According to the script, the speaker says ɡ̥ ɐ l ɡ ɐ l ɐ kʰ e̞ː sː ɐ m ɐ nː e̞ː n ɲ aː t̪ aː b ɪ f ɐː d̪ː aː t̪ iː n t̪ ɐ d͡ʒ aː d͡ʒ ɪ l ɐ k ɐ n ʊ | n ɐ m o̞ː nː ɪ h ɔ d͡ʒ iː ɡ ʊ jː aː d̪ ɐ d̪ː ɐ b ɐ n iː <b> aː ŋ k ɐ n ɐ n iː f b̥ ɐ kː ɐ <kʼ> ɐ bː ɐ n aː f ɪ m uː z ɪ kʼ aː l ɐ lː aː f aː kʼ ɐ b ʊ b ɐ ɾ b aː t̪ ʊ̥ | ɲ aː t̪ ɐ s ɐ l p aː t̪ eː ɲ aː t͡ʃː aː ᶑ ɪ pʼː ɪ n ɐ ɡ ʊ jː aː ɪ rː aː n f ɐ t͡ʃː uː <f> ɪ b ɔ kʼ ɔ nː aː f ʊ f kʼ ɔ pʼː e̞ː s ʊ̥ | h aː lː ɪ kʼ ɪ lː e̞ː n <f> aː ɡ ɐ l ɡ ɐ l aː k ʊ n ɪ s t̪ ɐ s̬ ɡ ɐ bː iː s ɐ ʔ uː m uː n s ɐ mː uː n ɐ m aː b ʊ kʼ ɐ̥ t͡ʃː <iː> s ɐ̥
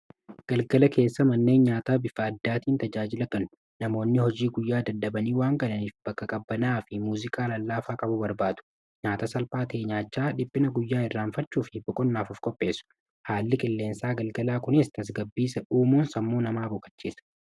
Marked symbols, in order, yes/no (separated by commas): no, yes, yes, no, yes